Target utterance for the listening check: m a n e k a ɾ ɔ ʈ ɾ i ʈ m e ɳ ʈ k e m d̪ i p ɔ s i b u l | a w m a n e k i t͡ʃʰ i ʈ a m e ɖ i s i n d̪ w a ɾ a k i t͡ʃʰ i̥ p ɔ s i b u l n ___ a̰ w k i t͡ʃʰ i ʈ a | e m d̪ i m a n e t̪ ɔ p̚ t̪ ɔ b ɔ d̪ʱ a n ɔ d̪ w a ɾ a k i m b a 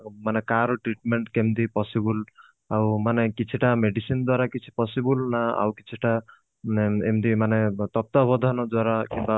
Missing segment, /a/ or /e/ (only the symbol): a